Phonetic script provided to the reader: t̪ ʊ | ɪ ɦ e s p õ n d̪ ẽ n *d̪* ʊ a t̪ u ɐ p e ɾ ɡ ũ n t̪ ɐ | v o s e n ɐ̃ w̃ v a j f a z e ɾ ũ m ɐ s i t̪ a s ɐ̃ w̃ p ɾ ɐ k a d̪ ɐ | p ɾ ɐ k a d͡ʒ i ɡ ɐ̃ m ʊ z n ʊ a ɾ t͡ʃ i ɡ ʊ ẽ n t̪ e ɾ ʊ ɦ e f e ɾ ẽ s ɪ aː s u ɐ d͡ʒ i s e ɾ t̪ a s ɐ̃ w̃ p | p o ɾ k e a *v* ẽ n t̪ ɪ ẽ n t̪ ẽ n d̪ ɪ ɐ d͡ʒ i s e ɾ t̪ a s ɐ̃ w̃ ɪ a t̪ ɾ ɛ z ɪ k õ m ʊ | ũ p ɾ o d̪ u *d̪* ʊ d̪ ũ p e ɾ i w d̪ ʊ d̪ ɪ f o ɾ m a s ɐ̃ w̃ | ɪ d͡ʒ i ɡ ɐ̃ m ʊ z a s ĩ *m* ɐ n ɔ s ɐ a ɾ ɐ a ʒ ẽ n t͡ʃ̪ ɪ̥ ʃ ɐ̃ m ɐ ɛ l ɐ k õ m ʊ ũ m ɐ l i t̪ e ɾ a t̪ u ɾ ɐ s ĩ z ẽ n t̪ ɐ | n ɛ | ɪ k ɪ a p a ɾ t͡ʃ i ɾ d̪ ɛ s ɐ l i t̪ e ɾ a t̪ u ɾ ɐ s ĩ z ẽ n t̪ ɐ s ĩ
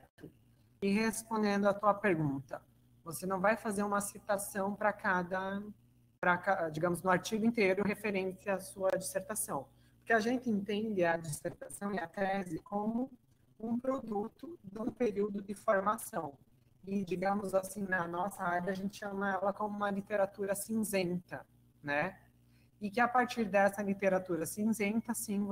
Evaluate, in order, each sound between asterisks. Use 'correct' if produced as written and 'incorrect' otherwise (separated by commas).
correct, incorrect, incorrect, incorrect